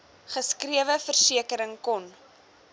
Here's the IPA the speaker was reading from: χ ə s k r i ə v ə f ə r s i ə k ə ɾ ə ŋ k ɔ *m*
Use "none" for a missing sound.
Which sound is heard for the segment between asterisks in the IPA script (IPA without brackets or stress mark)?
n